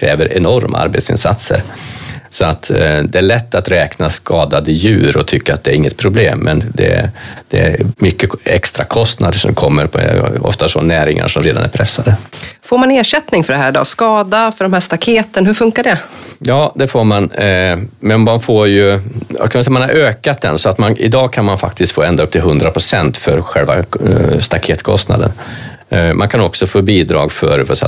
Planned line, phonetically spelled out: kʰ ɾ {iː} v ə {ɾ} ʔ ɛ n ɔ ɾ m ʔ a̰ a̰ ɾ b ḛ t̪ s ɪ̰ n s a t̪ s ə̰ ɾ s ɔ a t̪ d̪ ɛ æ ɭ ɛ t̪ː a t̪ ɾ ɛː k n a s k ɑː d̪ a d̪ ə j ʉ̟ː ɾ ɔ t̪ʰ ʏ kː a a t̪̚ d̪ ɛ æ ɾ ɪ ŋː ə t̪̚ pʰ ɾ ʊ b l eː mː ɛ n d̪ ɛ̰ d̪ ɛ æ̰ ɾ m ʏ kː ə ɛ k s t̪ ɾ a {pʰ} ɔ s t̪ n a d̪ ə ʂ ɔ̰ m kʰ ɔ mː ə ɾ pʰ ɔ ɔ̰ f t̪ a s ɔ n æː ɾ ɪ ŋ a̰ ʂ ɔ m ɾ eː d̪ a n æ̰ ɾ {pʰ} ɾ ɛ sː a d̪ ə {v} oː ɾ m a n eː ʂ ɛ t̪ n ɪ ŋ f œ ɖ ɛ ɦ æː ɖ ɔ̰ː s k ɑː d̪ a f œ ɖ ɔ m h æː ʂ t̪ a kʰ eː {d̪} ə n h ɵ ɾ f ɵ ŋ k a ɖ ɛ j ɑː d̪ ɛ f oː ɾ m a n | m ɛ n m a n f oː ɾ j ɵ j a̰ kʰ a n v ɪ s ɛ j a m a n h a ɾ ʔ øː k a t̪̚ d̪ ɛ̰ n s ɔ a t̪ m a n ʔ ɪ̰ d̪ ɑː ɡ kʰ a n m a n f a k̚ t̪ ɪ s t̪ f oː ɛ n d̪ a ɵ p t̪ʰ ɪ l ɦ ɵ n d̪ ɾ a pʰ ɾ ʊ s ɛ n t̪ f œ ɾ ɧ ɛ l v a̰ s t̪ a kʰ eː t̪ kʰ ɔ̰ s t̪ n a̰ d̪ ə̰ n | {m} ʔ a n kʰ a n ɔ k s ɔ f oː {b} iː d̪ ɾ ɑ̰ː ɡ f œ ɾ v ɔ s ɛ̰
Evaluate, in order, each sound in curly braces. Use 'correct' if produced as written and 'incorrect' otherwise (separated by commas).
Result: incorrect, correct, incorrect, correct, incorrect, incorrect, correct, correct